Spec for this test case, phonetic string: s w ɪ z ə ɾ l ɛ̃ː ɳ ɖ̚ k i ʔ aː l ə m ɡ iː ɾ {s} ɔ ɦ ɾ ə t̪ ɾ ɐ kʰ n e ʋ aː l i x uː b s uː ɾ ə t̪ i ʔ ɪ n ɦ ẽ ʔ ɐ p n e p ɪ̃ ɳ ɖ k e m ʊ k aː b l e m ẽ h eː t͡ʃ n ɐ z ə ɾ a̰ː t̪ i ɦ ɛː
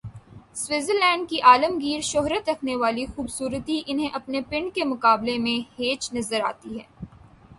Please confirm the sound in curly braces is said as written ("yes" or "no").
no